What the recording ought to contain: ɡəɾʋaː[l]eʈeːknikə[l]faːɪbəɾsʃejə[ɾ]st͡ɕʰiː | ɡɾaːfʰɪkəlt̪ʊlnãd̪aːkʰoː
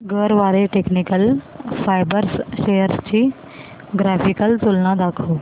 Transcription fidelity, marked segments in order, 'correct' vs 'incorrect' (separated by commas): incorrect, correct, correct